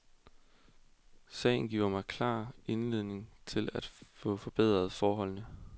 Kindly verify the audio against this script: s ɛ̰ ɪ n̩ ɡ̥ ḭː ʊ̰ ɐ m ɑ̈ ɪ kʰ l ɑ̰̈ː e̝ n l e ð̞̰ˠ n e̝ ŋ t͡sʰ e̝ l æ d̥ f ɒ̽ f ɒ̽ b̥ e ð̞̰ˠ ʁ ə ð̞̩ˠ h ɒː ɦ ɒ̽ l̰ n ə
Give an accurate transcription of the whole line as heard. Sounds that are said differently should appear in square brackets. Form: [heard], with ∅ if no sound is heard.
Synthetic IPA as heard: s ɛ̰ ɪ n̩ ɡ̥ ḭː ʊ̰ ɐ m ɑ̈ ɪ kʰ l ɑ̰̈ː e̝ n l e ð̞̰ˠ n e̝ ŋ t͡sʰ e̝ l æ d̥ f [ɔ̽] f ɒ̽ b̥ e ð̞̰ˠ ʁ [ɐ] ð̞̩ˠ [f] ɒː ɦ ɒ̽ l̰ n ə

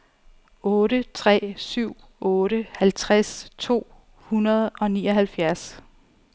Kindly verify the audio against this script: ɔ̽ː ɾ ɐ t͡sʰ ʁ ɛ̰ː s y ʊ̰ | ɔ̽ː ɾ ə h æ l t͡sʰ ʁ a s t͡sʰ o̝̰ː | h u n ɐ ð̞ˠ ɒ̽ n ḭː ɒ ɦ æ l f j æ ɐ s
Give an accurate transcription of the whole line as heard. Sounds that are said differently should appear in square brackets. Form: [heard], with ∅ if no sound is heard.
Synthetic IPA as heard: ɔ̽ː ɾ [ə] t͡sʰ ʁ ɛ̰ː s y ʊ̰ | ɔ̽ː ɾ ə h æ l t͡sʰ ʁ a s t͡sʰ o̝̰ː | h u n ɐ ð̞ˠ ɒ̽ n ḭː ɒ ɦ æ l f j æ ɐ s

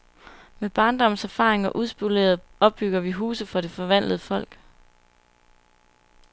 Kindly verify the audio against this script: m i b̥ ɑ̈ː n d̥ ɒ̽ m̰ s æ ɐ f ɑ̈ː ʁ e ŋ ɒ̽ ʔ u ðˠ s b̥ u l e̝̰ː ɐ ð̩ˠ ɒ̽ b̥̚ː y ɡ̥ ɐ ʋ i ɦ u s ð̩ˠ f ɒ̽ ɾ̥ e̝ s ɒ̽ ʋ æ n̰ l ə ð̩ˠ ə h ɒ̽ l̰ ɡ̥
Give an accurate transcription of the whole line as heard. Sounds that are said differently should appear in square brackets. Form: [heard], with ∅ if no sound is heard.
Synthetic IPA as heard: m [e] b̥ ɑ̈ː n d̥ ɒ̽ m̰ s æ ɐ f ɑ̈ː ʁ e ŋ ɒ̽ ʔ u ðˠ s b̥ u l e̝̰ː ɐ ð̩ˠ ɒ̽ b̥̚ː y ɡ̥ ɐ ʋ i ɦ [uː] s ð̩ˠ f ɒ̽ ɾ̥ e̝ [f] ɒ̽ ʋ æ n̰ l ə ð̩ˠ ə [f] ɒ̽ l̰ ɡ̥

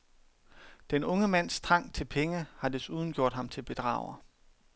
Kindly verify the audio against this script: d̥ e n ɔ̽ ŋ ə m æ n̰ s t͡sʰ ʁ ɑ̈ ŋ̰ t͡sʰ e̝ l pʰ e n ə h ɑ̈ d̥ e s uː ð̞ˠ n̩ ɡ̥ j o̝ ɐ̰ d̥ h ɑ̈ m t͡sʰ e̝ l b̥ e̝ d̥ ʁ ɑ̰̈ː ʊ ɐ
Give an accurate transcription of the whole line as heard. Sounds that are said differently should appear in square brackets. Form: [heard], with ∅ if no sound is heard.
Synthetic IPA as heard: d̥ e n ɔ̽ ŋ ə m æ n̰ s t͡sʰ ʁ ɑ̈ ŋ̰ t͡sʰ e̝ l pʰ e [ŋ] ə h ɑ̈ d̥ e s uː ð̞ˠ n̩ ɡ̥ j o̝ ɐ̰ d̥ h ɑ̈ m t͡sʰ e̝ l b̥ e̝ d̥ ʁ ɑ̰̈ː ʊ ɐ

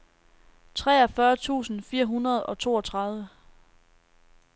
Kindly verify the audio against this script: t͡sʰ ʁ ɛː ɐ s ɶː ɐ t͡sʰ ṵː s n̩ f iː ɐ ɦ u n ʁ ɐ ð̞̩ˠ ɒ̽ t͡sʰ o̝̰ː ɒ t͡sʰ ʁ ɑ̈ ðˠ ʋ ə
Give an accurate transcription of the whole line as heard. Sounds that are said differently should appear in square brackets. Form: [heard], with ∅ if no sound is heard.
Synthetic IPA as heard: t͡sʰ ʁ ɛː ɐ [f] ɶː ɐ t͡sʰ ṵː s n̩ f iː ɐ ɦ u n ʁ ɐ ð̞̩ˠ ɒ̽ t͡sʰ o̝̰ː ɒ t͡sʰ ʁ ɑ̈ ðˠ ʋ ə

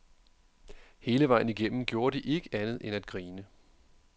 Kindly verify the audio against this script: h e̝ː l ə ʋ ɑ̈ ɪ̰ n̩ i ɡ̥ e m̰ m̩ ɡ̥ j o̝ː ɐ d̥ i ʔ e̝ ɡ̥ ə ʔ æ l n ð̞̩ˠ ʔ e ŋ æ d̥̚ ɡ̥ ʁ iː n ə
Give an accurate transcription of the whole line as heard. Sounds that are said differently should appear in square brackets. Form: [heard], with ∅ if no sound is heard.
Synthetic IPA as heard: h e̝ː l ə ʋ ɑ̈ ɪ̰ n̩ i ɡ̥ e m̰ m̩ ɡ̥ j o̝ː ɐ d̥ i ʔ e̝ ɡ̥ ə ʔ æ [∅] n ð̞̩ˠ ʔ e [n] æ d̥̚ ɡ̥ ʁ iː n ə

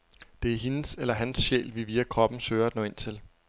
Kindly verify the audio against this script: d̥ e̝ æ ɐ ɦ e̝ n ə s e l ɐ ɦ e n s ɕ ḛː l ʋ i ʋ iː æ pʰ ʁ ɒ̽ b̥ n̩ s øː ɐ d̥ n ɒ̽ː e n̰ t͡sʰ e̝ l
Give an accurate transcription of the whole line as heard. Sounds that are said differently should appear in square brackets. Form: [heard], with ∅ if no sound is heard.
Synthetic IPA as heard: d̥ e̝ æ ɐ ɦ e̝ n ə s e l ɐ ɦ [æ] n s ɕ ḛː l ʋ i ʋ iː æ [kʰ] ʁ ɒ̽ b̥ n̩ s øː ɐ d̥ n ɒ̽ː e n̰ t͡sʰ e̝ l

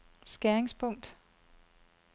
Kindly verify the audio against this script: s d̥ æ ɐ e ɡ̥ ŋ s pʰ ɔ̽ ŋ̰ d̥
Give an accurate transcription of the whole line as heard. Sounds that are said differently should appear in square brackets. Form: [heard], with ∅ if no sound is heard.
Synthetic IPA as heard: s [ɡ̥] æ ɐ e [∅] ŋ s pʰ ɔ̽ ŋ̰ d̥

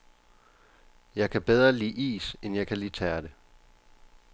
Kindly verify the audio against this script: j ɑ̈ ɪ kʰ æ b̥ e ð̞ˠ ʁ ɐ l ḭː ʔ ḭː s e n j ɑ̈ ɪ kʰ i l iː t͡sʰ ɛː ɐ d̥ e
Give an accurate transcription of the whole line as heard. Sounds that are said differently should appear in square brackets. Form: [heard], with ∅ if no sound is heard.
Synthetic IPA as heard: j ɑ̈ ɪ kʰ æ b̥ e ð̞ˠ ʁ ɐ l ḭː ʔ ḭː s e n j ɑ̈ ɪ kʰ [æ] l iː t͡sʰ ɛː ɐ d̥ e

